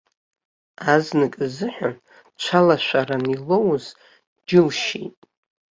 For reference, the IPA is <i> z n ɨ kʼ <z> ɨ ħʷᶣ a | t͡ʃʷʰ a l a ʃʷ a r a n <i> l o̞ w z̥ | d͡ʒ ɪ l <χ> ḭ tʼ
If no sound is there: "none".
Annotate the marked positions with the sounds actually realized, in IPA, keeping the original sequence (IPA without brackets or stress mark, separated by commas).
a, z, i, ʃ